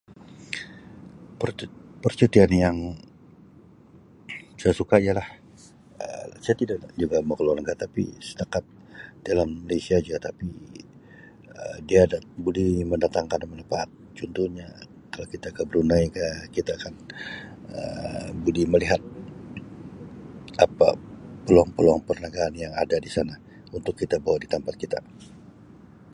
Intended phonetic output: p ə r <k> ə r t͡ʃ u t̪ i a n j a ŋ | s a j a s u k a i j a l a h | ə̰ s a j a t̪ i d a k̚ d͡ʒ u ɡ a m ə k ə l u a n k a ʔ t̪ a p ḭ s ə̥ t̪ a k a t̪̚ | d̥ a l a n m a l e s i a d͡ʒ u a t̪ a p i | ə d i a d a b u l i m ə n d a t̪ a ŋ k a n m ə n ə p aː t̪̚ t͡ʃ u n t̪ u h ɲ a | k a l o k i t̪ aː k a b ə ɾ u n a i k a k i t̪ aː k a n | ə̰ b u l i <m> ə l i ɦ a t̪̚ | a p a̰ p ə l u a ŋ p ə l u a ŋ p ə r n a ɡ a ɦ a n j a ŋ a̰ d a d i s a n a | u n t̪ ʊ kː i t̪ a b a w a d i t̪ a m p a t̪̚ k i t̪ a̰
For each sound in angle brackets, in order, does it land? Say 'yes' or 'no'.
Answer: no, yes

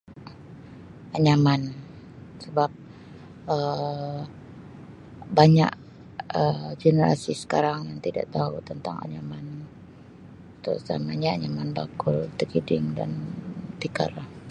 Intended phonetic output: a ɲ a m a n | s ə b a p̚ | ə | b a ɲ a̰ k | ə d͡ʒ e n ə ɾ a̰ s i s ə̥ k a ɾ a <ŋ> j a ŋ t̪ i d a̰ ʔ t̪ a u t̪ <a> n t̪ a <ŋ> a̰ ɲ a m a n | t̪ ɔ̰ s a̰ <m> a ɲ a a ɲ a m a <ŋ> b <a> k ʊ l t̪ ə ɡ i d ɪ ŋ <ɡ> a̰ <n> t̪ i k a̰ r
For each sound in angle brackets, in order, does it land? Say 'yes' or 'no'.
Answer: yes, no, yes, yes, no, yes, no, yes

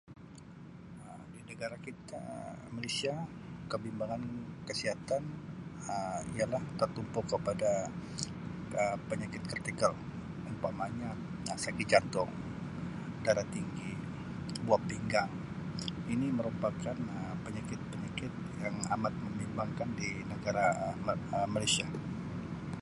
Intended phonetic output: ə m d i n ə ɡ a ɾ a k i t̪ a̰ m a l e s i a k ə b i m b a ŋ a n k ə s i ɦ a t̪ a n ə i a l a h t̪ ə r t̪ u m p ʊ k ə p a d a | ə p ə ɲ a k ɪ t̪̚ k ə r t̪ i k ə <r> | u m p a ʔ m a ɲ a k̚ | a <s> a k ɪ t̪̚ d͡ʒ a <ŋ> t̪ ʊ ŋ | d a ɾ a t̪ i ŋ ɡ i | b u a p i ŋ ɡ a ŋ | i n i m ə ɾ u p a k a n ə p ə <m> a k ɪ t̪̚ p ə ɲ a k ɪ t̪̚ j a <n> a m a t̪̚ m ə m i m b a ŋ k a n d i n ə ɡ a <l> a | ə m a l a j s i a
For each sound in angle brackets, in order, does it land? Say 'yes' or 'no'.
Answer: no, yes, no, no, no, no

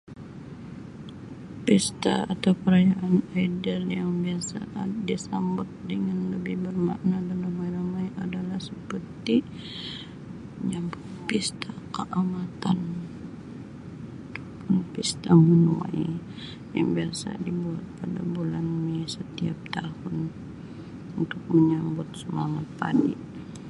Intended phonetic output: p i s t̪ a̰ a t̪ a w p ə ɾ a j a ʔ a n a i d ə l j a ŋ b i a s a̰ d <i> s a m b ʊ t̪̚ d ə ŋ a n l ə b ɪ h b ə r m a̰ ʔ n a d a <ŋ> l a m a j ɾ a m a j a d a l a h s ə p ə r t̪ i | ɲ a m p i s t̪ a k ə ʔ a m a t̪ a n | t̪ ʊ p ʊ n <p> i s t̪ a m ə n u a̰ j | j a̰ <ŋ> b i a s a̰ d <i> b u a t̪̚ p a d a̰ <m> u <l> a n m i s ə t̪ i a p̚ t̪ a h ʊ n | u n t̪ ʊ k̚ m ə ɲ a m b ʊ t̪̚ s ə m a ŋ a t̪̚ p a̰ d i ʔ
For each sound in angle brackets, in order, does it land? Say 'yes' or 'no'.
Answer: yes, no, yes, yes, yes, no, yes

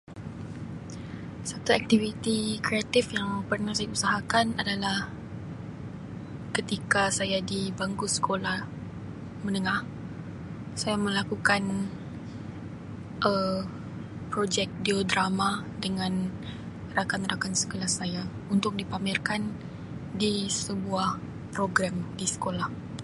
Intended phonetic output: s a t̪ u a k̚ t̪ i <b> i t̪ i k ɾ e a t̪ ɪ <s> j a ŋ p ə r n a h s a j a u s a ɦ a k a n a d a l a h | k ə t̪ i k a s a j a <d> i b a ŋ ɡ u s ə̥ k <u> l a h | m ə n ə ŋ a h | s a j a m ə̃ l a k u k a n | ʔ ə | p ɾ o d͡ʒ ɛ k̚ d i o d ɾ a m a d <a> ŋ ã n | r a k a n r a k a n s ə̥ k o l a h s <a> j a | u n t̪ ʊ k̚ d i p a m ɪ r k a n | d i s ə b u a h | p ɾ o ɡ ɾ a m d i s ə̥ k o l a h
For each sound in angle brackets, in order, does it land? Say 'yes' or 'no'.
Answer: no, no, yes, no, no, yes

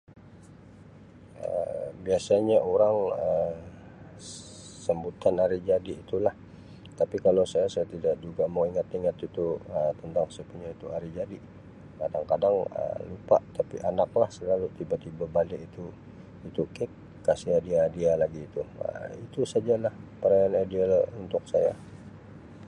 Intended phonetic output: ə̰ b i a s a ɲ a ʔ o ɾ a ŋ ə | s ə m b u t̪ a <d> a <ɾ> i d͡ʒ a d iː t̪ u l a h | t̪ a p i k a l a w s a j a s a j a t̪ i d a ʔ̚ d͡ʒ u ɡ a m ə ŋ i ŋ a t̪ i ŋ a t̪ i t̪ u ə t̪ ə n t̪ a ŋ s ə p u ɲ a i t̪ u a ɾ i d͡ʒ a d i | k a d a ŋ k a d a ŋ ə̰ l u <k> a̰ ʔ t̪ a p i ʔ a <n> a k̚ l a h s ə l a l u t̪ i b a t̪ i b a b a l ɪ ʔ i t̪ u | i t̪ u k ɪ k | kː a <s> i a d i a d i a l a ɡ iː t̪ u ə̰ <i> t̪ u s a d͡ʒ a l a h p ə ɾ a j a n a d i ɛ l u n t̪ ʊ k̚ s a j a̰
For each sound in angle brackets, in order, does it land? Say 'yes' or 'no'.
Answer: no, yes, no, yes, yes, yes

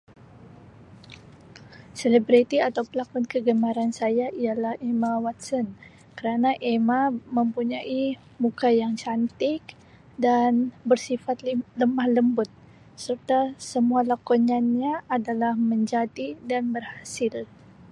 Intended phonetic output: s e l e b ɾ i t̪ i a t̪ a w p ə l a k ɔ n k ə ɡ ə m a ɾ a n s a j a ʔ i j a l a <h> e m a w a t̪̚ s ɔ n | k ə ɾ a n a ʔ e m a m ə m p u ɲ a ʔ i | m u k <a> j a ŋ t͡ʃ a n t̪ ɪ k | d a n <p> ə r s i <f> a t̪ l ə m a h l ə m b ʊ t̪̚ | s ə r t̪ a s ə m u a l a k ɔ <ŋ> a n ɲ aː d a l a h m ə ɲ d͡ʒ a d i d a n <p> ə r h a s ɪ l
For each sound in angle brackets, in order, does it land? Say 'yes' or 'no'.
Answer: yes, yes, no, yes, no, no

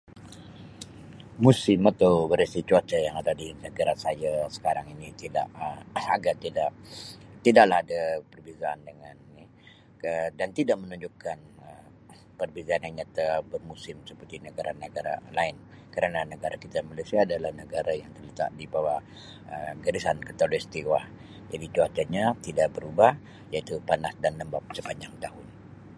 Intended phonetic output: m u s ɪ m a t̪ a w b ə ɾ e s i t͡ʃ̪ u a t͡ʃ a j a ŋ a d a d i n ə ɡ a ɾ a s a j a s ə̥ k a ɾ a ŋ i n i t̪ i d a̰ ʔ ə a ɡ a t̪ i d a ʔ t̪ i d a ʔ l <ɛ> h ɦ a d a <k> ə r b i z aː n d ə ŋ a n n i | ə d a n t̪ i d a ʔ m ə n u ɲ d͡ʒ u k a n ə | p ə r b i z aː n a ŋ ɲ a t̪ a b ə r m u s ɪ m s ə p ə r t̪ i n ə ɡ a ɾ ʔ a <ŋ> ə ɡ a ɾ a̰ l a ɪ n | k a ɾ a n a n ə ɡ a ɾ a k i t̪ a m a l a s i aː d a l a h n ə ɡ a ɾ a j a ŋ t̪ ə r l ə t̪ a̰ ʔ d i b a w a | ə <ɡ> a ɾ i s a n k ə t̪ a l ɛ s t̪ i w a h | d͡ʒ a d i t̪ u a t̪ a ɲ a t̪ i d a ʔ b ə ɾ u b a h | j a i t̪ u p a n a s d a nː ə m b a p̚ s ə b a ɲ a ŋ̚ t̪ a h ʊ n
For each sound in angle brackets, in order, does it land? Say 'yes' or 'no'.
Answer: no, no, no, yes

